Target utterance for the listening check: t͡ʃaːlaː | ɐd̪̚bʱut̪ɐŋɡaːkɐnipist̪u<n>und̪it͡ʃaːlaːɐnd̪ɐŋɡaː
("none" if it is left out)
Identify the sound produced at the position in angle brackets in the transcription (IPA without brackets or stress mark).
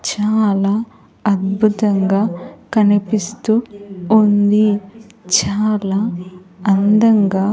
none